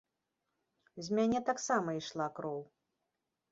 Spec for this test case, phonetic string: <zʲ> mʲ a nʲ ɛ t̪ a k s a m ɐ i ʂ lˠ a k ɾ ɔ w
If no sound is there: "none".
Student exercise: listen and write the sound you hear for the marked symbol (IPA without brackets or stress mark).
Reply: zʲ